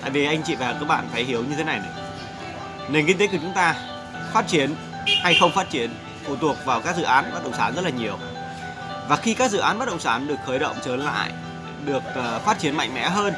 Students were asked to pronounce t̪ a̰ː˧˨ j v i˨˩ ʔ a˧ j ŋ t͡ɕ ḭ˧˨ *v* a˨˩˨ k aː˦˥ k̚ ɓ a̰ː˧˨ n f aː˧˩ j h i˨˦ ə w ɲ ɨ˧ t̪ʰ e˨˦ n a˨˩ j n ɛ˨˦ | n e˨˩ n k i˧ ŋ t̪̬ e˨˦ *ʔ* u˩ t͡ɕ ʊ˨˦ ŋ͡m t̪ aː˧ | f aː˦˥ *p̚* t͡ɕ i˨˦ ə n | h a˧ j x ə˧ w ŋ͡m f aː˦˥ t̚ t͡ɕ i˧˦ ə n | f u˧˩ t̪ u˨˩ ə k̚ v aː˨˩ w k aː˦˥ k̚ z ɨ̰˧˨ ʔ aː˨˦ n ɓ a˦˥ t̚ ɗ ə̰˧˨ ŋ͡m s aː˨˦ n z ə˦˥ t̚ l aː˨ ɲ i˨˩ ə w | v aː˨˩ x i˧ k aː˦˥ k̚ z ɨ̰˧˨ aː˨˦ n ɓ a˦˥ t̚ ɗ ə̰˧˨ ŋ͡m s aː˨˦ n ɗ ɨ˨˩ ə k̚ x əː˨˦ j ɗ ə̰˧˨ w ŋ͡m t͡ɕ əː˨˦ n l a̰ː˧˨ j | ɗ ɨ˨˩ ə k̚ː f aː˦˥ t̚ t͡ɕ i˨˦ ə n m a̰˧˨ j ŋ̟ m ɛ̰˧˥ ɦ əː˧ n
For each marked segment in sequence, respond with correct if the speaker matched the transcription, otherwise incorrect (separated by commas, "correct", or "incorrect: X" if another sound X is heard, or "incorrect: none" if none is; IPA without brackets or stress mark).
correct, incorrect: k, incorrect: t̚